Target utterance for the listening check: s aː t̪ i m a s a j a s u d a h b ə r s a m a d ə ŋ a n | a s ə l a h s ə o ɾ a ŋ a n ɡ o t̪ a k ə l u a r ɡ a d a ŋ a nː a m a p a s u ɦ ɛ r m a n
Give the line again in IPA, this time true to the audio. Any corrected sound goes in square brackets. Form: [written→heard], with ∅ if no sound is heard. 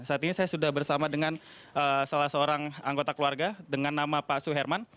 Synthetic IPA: s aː t̪ i [m→ɲ] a s a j a s u d a h b ə r s a m a d ə ŋ a n | [a→ə] s [ə→a] l a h s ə o ɾ a ŋ a [n→ŋ] ɡ o t̪ a k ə l u a r ɡ a d [a→ə] ŋ a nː a m a p a s u ɦ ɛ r m a n